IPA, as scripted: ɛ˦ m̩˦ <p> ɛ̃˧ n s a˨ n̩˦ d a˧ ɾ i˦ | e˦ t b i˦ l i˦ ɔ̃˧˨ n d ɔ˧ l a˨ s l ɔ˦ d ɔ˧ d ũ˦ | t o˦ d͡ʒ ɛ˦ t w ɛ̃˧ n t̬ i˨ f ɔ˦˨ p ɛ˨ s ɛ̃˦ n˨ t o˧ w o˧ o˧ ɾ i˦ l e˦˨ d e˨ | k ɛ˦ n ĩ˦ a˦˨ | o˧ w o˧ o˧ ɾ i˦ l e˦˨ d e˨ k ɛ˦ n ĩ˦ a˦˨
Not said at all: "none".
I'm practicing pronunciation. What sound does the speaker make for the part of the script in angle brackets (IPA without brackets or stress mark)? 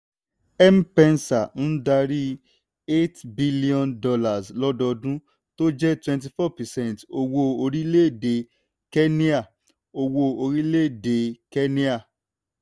p